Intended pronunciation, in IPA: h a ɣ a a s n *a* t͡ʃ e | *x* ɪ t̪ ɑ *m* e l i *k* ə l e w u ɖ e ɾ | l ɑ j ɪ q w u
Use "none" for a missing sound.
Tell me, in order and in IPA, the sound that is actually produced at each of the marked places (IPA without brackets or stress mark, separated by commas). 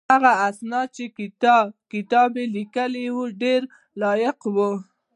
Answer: ɑ, k, b, k